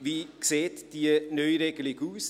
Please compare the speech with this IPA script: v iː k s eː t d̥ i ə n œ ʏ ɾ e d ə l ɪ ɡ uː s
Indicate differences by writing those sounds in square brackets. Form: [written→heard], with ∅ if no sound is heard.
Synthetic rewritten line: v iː k s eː t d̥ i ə n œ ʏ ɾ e [d→ɡ] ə l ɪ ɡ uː s